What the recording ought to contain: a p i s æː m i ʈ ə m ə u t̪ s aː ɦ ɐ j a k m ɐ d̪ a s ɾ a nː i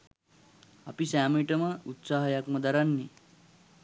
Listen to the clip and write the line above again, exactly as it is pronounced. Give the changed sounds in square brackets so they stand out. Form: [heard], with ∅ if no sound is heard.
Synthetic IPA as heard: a p i s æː m i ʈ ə m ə u t̪ s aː ɦ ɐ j a k m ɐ d̪ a [∅] ɾ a nː i